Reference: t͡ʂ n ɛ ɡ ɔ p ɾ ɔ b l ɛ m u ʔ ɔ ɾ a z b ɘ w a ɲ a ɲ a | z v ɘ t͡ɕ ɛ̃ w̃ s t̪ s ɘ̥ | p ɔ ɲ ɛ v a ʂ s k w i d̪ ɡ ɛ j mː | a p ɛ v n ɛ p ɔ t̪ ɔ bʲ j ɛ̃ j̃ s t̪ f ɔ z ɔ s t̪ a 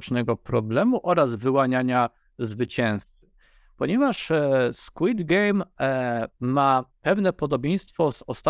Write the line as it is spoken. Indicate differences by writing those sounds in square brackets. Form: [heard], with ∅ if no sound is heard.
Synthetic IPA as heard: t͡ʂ n ɛ ɡ ɔ p ɾ ɔ b l ɛ m u ʔ ɔ ɾ a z [v] ɘ w a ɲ a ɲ a | z v ɘ t͡ɕ ɛ̃ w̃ s t̪ s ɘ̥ | p ɔ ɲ ɛ v a ʂ s k w i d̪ ɡ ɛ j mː | a p ɛ v n ɛ p ɔ [d̪] ɔ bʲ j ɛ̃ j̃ s t̪ f ɔ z ɔ s t̪ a